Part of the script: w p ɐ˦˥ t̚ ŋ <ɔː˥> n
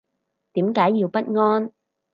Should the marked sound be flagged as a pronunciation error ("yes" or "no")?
no